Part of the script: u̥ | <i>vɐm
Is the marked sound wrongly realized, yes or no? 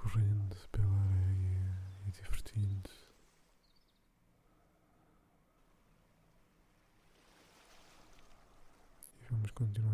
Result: no